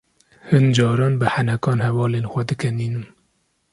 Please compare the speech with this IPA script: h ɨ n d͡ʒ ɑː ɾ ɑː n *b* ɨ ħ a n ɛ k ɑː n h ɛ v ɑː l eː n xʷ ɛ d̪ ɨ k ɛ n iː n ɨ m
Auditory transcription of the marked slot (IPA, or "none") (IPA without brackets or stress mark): b